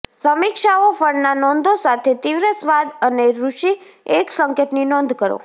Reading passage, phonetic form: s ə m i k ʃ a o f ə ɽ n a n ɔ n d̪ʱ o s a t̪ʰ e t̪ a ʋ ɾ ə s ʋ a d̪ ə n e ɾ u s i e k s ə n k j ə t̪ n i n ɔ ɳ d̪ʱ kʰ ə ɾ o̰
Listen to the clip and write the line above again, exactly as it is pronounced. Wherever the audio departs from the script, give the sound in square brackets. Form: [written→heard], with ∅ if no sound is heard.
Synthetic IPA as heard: s ə m i k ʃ a o f ə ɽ n a n ɔ n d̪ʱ o s a t̪ʰ e t̪ [a→i] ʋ ɾ ə s ʋ a d̪ ə n e ɾ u [s→ʃ] i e k s ə [n→ŋ] k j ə t̪ n i n ɔ [ɳ→n] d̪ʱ [kʰ→k] ə ɾ o̰

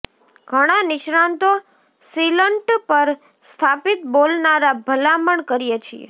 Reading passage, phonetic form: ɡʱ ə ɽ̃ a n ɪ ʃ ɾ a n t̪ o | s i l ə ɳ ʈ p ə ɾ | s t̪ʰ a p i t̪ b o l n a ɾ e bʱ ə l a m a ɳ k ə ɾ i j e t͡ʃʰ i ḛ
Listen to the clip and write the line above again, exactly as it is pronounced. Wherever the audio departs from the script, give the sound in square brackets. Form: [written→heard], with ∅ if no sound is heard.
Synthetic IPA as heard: ɡʱ ə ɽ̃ a n ɪ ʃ ɾ a n t̪ o | s i l ə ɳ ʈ p ə ɾ | s t̪ʰ a p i t̪ b o l n a ɾ [e→a] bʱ ə l a m [a→ə] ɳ k ə ɾ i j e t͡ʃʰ i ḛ

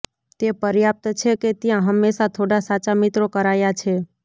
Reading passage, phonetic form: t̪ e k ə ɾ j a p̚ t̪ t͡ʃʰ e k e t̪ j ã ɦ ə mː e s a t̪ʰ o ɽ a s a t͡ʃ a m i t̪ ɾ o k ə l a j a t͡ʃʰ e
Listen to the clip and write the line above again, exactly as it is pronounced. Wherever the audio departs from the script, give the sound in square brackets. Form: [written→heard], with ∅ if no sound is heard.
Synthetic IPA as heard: t̪ e [k→p] ə ɾ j a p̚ t̪ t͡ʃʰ e k e t̪ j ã ɦ ə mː e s a t̪ʰ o ɽ a s a t͡ʃ a m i t̪ ɾ o k ə [l→ɾ] a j a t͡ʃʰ e

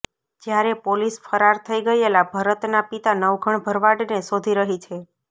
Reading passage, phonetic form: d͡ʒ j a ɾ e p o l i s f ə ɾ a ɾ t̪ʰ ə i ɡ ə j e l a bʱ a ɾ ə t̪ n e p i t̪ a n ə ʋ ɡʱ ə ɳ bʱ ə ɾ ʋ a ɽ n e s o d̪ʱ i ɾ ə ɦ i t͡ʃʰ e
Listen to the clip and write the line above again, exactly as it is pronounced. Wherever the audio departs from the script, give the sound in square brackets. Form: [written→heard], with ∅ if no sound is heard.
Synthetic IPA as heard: d͡ʒ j a ɾ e p o l i s f ə ɾ a ɾ t̪ʰ ə i ɡ ə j e l a bʱ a ɾ ə t̪ n [e→a] p i t̪ a n ə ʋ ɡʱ ə ɳ bʱ ə ɾ ʋ a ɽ n e s o d̪ʱ i ɾ ə ɦ i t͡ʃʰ e

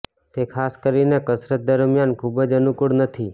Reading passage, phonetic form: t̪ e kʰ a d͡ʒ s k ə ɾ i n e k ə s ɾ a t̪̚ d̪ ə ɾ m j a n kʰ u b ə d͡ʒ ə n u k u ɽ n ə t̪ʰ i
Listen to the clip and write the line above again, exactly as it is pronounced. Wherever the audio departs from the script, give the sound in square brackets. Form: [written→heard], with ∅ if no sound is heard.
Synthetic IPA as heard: t̪ e kʰ a [d͡ʒ→∅] s k ə ɾ i n e k ə s ɾ [a→ə] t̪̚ d̪ ə ɾ m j a n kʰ u b ə d͡ʒ ə n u k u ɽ n ə t̪ʰ i

